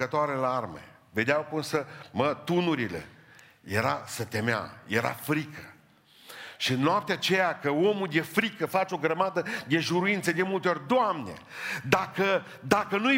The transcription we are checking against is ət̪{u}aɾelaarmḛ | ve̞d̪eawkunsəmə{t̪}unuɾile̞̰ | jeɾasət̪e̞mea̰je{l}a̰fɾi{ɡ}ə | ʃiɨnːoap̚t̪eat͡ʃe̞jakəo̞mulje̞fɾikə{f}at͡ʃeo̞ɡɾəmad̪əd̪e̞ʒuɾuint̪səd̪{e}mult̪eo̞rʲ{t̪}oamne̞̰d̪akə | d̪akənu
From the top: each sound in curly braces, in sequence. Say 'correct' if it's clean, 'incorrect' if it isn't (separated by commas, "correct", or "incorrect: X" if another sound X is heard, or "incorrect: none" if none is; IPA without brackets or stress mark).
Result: incorrect: o, correct, incorrect: ɾ, incorrect: k, correct, correct, incorrect: d̪